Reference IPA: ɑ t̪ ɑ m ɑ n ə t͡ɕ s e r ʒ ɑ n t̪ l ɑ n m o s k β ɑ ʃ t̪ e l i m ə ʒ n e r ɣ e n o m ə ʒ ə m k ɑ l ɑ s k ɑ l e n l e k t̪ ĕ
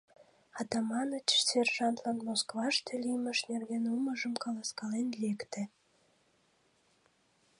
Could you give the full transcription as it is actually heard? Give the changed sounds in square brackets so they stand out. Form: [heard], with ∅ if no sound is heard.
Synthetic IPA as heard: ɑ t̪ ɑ m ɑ n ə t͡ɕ s e r ʒ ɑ n t̪ l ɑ n m o s k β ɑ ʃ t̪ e l i m ə [ʃ] n e r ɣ e n [u] m ə ʒ ə m k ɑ l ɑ s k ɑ l e n l e k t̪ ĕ